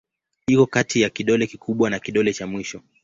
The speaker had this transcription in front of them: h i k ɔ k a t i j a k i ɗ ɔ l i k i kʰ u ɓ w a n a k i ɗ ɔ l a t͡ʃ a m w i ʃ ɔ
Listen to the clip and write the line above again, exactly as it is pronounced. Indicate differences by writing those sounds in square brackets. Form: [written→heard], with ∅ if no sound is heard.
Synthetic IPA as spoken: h i k ɔ k a t i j a k i ɗ ɔ l [i→ɛ] k i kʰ u ɓ w a n a k i ɗ ɔ l [a→ɛ] t͡ʃ a m w i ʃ ɔ